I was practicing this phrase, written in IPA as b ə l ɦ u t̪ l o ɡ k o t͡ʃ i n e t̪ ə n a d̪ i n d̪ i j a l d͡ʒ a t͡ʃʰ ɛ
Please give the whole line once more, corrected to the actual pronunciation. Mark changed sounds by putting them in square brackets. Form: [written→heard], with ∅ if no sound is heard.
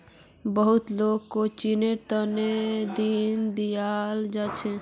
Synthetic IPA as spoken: b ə [l→∅] ɦ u t̪ l o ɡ k o t͡ʃ i n e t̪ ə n [a→e] d̪ i n d̪ i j a l d͡ʒ a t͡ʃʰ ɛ